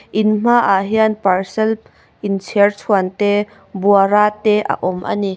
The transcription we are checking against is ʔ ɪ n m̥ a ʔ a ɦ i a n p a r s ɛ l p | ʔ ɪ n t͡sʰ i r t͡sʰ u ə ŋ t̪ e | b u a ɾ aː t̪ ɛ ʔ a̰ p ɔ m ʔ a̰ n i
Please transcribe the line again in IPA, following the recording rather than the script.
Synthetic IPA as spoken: ʔ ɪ n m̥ a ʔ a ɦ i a n p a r s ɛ l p | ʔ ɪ n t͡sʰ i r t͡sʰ u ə n t̪ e | b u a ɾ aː t̪ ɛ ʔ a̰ ʔ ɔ m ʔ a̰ n i